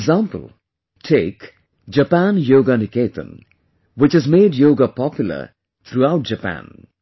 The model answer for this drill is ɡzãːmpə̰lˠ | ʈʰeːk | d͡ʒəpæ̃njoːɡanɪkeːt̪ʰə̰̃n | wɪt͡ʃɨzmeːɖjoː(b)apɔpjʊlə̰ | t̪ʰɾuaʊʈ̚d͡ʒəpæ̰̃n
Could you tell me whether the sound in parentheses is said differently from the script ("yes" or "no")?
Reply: yes